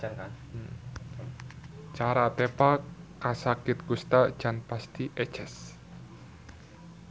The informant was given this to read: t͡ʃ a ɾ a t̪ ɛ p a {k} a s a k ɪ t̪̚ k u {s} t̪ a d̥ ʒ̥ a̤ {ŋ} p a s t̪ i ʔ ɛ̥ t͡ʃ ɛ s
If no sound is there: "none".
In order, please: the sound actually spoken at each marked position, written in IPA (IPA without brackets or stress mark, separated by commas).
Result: k, s, n